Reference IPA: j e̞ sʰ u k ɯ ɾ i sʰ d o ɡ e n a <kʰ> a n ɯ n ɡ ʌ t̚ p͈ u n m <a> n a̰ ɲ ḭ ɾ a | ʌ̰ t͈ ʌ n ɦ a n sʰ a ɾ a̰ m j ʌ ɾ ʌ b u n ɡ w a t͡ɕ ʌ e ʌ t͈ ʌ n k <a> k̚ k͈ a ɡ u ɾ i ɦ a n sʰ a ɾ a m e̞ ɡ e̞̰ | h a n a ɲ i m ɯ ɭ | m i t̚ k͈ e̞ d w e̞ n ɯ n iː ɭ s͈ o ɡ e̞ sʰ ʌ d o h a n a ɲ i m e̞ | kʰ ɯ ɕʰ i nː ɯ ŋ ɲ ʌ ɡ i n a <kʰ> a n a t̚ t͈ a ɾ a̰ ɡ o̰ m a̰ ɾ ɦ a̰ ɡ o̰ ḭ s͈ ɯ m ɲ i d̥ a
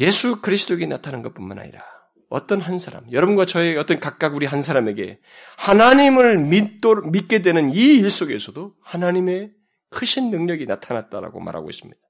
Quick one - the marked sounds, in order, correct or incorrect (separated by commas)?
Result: incorrect, correct, correct, incorrect